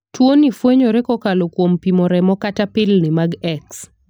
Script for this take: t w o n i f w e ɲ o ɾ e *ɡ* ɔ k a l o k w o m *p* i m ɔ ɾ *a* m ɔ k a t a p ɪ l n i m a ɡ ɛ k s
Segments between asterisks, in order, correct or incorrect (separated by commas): incorrect, correct, incorrect